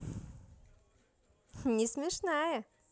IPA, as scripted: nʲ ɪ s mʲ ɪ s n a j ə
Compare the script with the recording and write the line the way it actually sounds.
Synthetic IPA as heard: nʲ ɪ s mʲ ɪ ʂ n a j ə